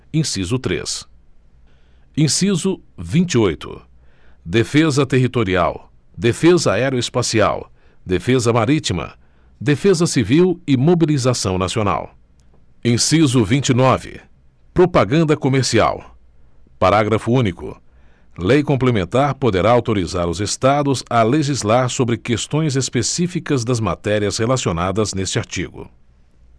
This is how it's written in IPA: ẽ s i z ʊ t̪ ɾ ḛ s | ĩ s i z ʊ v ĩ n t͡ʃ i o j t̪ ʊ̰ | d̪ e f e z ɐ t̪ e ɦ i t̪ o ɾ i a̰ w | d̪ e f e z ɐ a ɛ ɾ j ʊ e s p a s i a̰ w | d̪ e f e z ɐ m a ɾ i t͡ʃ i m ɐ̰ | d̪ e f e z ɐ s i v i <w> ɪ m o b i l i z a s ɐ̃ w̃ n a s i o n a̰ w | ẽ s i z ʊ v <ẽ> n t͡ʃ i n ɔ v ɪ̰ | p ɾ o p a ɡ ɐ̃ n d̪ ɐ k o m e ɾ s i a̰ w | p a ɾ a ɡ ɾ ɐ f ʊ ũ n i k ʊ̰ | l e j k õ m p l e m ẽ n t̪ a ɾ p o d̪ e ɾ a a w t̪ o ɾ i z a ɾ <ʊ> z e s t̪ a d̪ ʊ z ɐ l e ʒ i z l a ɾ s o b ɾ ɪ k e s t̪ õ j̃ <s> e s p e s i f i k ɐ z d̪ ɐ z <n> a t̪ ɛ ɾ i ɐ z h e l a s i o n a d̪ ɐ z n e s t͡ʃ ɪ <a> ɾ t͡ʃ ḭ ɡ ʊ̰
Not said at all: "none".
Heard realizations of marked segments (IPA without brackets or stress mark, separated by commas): w, ĩ, ʊ, z, m, a